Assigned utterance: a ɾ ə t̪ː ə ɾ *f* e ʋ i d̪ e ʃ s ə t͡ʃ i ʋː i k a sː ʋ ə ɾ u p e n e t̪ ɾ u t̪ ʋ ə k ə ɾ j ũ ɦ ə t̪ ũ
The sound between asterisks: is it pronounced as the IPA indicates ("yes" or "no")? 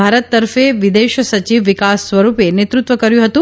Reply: yes